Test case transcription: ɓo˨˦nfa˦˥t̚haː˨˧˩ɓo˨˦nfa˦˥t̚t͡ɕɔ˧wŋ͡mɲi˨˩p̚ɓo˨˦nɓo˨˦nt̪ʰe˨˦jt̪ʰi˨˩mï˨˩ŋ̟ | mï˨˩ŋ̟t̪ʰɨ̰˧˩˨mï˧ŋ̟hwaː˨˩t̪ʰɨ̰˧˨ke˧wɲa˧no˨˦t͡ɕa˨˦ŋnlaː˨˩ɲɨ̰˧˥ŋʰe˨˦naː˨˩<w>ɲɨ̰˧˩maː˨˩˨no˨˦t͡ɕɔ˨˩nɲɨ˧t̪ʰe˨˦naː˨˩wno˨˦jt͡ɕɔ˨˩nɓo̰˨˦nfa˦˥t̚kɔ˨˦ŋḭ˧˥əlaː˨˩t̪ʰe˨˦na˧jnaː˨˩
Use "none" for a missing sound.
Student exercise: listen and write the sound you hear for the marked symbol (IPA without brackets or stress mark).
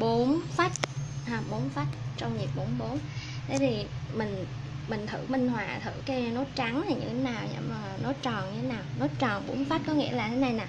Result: w